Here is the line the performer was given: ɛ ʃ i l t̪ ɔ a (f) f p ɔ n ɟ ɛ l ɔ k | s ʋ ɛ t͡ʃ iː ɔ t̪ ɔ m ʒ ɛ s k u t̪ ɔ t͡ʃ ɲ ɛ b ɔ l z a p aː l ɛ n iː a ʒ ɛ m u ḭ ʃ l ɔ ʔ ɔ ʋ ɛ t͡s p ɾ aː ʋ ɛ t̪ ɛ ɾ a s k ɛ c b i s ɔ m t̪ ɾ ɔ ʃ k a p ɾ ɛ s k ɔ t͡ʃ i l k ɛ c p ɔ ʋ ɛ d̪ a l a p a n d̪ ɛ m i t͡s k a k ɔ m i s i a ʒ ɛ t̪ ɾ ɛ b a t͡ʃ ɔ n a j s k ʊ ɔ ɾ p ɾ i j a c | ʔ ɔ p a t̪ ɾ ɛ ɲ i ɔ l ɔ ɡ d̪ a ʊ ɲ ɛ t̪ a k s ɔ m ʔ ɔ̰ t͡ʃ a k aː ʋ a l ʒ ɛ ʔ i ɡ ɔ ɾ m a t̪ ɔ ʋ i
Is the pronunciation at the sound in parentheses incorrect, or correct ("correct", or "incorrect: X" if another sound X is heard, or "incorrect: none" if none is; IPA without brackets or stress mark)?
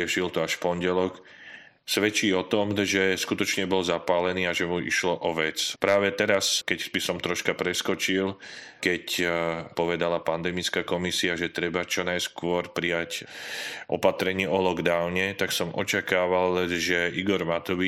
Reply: incorrect: ʃ